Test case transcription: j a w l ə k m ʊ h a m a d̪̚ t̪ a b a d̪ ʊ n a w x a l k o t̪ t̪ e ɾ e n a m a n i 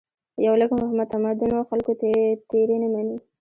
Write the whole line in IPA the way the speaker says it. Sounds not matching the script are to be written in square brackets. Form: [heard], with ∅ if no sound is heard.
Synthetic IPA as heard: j a w l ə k m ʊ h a m a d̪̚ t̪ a [m] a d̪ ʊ n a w x a l k o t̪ t̪ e ɾ e n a m a n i